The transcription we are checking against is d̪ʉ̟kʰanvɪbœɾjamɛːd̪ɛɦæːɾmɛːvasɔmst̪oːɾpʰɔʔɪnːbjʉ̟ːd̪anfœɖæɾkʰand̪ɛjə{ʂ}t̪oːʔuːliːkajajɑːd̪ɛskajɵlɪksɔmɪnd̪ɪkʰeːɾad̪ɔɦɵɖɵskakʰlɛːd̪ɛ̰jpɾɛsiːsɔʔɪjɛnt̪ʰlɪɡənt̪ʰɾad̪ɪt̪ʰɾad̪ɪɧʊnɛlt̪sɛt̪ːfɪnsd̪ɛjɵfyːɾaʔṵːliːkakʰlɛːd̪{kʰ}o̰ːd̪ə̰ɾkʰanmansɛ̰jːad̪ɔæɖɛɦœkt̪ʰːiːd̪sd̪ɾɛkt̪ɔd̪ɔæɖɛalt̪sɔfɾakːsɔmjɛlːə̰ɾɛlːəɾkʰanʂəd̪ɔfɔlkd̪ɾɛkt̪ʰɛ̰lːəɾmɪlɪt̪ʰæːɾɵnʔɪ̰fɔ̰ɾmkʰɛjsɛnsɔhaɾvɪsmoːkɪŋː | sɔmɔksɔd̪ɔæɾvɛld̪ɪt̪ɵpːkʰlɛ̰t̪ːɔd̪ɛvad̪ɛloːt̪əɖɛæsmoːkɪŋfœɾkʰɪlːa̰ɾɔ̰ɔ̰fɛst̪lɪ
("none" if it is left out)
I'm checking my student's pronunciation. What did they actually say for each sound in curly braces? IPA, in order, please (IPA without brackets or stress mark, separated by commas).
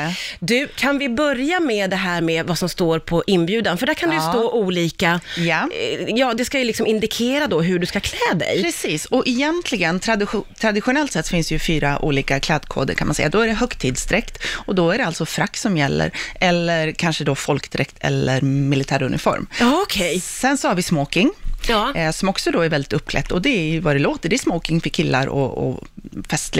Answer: s, kʰ